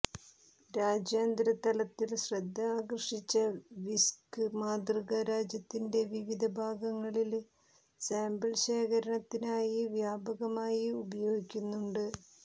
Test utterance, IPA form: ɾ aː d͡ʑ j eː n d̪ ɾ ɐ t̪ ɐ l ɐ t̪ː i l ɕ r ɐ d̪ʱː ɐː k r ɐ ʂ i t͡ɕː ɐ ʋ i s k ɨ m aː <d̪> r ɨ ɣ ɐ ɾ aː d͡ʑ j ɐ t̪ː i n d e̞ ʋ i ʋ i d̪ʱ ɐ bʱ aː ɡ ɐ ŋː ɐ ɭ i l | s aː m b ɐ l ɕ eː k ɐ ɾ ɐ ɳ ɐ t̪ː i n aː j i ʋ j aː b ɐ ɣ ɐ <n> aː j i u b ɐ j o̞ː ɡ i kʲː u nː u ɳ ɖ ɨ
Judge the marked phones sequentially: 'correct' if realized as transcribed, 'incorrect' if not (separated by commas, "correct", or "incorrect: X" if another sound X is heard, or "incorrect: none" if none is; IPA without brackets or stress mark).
correct, incorrect: m